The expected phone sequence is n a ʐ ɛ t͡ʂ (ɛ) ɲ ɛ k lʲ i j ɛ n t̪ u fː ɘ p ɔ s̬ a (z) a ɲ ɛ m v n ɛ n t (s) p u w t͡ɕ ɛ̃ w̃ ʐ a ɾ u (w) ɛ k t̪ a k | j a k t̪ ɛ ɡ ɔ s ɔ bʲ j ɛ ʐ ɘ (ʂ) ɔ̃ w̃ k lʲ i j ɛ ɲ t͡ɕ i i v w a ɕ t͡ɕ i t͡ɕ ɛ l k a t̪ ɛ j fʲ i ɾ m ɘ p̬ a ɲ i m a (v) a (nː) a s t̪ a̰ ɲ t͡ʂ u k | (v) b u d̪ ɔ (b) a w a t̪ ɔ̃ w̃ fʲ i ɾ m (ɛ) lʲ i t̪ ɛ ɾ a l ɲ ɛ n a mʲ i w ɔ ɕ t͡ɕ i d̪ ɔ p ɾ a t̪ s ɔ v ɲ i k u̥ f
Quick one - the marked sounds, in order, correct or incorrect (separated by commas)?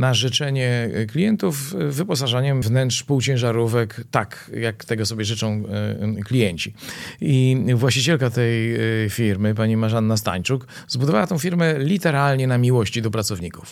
correct, incorrect, incorrect, incorrect, incorrect, incorrect, correct, incorrect, incorrect, correct